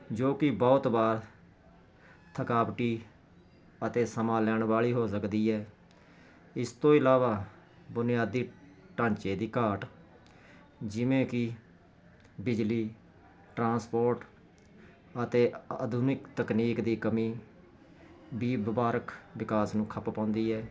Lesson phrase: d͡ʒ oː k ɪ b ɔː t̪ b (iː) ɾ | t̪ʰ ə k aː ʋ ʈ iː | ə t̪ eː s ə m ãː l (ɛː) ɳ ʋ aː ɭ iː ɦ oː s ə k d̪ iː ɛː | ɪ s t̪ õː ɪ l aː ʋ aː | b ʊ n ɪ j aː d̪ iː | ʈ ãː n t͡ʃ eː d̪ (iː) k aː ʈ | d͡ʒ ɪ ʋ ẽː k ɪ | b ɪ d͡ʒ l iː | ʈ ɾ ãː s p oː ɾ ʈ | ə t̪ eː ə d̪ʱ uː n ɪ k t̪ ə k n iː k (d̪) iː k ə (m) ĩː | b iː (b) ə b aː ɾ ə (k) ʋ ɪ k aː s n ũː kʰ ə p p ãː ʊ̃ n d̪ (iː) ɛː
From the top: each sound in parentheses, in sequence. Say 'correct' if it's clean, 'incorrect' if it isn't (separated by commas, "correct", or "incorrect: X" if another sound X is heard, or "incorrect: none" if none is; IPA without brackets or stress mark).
incorrect: aː, correct, correct, correct, correct, correct, correct, correct